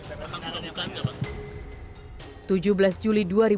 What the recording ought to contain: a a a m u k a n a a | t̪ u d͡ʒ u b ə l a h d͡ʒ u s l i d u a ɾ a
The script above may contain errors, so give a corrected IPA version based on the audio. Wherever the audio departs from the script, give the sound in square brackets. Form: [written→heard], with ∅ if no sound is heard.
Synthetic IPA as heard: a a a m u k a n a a | t̪ u d͡ʒ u b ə l a [h→s] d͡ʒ u [s→∅] l i d u a ɾ [a→i]